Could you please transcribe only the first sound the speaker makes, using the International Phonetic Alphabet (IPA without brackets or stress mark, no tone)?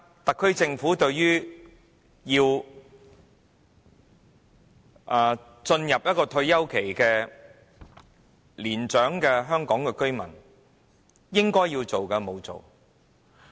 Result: t̪